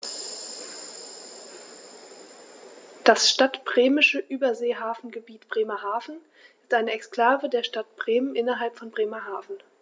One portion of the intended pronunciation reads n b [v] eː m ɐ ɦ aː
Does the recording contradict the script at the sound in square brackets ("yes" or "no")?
yes